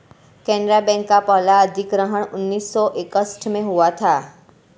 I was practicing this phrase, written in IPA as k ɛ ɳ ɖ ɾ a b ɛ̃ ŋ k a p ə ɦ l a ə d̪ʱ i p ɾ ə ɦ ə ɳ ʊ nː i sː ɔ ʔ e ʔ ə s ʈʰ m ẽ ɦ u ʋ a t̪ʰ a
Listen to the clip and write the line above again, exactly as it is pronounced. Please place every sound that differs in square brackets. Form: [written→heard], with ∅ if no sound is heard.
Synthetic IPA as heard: k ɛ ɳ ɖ ɾ a b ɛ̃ ŋ k a p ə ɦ l a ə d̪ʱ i [p→k] ɾ ə ɦ ə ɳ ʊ nː i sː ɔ ʔ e [ʔ→k] ə s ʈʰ m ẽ ɦ u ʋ a t̪ʰ a